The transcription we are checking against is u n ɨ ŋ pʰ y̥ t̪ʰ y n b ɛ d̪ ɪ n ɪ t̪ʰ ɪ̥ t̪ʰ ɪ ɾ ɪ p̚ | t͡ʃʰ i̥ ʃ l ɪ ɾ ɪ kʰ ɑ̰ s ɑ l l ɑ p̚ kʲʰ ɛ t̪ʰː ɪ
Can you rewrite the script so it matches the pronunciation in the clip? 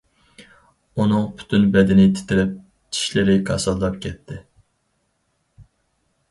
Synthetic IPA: u n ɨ ŋ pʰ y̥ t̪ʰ y n b ɛ d̪ ɪ n ɪ t̪ʰ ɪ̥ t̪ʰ ɪ ɾ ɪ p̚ | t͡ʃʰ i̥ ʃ l ɪ ɾ ɪ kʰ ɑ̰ s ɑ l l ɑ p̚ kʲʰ ɛ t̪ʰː ɪ